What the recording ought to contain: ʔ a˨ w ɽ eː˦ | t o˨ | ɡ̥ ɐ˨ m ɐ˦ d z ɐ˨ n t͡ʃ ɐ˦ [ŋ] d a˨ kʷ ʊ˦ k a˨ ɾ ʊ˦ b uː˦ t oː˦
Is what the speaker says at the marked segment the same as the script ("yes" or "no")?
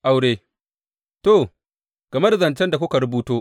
no